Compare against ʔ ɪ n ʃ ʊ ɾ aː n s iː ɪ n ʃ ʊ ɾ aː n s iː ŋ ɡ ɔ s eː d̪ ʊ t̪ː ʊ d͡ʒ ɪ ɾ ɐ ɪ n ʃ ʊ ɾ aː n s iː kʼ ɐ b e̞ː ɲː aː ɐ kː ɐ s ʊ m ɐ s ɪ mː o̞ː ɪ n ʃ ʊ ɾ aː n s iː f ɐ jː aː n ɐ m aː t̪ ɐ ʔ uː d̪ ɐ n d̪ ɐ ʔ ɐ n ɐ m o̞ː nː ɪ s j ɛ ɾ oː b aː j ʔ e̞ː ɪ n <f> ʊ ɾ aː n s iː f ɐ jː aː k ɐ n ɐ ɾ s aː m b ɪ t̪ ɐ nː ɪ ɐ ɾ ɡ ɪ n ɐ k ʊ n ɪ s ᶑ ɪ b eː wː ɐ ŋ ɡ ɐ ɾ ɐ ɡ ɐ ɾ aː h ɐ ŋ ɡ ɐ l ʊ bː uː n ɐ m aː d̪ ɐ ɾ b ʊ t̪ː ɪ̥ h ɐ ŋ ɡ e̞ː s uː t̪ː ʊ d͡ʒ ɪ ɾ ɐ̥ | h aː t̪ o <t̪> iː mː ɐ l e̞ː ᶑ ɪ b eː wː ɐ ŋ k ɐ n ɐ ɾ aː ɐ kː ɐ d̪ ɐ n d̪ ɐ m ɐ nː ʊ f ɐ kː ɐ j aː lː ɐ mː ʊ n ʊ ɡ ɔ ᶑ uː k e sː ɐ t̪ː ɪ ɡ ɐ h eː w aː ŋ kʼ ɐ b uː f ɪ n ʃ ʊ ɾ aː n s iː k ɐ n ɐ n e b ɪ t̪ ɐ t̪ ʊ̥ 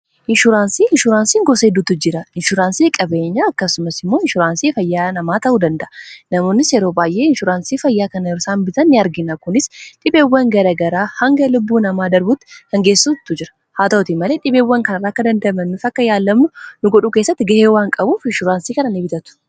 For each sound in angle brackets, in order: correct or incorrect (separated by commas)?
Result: incorrect, correct